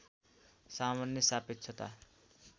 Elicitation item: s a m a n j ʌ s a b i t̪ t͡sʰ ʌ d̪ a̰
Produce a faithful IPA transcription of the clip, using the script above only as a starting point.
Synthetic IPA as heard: s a m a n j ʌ s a p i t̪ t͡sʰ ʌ t̪ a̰